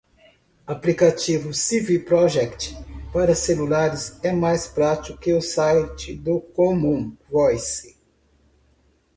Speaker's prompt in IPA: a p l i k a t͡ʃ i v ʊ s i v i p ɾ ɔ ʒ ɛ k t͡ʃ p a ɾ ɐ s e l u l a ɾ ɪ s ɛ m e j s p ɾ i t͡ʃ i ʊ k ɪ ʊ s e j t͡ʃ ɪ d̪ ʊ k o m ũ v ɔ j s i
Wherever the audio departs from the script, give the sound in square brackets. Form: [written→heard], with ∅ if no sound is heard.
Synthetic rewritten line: a p l i k a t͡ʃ i v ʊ s i v i p ɾ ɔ ʒ ɛ k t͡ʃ p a ɾ ɐ s e l u l a ɾ ɪ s ɛ m [e→a] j s p ɾ [i→a] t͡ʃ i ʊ k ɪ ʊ s [e→a] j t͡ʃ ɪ d̪ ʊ k o m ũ v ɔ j s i